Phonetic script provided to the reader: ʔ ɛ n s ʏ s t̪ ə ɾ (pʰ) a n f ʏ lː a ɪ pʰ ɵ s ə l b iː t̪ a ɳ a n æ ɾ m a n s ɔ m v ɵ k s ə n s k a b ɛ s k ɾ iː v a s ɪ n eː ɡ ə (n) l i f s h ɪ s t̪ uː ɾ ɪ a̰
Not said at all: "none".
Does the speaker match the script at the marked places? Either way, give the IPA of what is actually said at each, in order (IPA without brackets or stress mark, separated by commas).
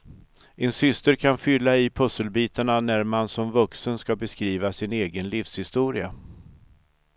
kʰ, n